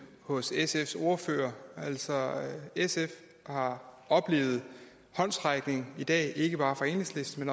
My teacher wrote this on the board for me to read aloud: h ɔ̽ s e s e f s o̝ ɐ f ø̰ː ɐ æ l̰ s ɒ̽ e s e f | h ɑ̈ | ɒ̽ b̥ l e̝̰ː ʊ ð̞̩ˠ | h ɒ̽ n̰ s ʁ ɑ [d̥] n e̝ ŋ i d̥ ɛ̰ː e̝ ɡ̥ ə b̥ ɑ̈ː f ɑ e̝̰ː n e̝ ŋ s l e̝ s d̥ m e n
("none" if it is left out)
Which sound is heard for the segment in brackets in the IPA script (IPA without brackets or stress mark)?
ɡ̥